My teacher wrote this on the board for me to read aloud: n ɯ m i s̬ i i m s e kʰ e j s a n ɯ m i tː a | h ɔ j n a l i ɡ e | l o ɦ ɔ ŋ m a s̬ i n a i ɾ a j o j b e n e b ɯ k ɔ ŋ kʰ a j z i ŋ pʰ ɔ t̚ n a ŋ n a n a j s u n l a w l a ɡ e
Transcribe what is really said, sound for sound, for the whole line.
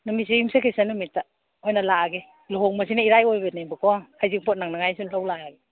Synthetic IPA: n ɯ m i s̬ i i m s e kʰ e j s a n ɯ m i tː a | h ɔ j n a l a ɡ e | l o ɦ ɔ ŋ m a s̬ i n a i ɾ a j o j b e n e b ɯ k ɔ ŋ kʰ a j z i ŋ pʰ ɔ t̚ n a ŋ n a ŋ a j s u n l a w l a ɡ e